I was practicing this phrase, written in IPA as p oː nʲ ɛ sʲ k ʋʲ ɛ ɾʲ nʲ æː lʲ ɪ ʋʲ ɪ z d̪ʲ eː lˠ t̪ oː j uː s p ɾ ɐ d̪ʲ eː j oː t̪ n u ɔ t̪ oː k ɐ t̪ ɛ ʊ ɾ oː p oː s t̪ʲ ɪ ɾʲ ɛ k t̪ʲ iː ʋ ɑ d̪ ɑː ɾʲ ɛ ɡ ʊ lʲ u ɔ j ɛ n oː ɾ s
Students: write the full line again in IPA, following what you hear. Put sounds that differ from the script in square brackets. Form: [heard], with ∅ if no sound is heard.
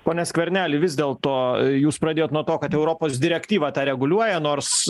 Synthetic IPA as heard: p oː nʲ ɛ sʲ k ʋʲ ɛ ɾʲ nʲ æː lʲ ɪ ʋʲ ɪ z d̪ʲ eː lˠ t̪ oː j uː s p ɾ ɐ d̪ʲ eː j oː t̪ n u ɔ t̪ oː k ɐ t̪ ɛ ʊ ɾ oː p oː s [d̪ʲ] ɪ ɾʲ ɛ k t̪ʲ iː ʋ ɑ [t̪] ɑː ɾʲ ɛ ɡ ʊ lʲ u ɔ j ɛ n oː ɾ s